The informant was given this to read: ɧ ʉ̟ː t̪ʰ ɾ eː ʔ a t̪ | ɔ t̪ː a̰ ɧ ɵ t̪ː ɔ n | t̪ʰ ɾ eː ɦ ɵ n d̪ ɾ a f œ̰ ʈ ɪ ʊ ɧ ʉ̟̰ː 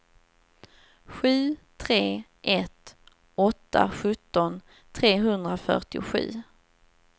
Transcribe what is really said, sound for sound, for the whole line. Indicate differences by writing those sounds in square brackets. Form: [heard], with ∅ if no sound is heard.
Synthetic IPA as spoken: ɧ ʉ̟ː t̪ʰ ɾ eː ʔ [ɛ] t̪ | ɔ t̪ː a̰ ɧ ɵ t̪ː ɔ n | t̪ʰ ɾ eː ɦ ɵ n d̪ ɾ a f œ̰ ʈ ɪ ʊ ɧ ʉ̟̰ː

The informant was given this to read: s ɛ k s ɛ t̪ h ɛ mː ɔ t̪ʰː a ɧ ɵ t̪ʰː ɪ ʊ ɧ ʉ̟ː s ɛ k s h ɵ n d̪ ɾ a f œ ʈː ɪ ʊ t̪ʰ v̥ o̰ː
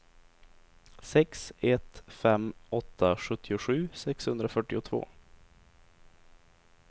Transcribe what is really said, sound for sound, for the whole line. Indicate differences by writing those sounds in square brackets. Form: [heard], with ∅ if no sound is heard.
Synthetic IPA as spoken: s ɛ k s ɛ t̪ [f] ɛ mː ɔ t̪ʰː a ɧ ɵ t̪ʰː ɪ ʊ ɧ ʉ̟ː s ɛ k s h ɵ n d̪ ɾ a f œ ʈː ɪ ʊ t̪ʰ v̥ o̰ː

